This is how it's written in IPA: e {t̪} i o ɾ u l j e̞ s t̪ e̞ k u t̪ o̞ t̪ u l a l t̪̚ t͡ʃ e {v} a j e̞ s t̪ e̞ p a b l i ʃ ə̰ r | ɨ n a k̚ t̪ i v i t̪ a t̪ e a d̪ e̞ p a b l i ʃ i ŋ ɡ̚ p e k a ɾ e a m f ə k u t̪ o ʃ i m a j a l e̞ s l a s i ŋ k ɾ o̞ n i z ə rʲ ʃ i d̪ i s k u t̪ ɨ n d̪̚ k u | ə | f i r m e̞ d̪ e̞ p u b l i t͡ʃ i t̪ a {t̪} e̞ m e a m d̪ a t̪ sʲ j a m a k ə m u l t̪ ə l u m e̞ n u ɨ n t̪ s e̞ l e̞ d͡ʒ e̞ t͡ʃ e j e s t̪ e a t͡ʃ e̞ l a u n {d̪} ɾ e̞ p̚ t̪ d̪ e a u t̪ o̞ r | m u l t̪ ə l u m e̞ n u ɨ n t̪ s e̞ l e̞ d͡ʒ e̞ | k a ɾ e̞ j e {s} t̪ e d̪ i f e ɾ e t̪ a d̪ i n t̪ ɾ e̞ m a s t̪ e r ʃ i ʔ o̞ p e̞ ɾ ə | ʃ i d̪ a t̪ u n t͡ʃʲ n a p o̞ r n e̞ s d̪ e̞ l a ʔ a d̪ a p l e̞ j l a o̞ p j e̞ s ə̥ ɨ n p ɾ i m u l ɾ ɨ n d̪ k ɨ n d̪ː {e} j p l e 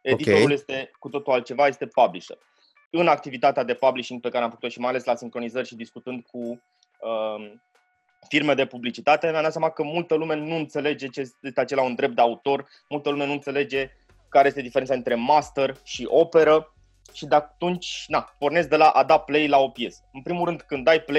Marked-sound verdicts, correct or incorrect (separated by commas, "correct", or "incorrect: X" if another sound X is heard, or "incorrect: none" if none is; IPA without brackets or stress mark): incorrect: d̪, correct, correct, correct, correct, incorrect: a